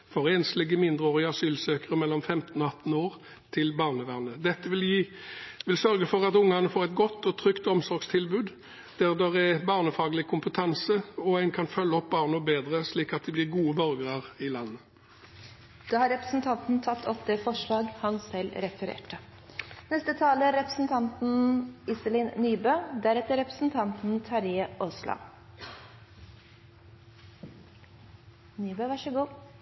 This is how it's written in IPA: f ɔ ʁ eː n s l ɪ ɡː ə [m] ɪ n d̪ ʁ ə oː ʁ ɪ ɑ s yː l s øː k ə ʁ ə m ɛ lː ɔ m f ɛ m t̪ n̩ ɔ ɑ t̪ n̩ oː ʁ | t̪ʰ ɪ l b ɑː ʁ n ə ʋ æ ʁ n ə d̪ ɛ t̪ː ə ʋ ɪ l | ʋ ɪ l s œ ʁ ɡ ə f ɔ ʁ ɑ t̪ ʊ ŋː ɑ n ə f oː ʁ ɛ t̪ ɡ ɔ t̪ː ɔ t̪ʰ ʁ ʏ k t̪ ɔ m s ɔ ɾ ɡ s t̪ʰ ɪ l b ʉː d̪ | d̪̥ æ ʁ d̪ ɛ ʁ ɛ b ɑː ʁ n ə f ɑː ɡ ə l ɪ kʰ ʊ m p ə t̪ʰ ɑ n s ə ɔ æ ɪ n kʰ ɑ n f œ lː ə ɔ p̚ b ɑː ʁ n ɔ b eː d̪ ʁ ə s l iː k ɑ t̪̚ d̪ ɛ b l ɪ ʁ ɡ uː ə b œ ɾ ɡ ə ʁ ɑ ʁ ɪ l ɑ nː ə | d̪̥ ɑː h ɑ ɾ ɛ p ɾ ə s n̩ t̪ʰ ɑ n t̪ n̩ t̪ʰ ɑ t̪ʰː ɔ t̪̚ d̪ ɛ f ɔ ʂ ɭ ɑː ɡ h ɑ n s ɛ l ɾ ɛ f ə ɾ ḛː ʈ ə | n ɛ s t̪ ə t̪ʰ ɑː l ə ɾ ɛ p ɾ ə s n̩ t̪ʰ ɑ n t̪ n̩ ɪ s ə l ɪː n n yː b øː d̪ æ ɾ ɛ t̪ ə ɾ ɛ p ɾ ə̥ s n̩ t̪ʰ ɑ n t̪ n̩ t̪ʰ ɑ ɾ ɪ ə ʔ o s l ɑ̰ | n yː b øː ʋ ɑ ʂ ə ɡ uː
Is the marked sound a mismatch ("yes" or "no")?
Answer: no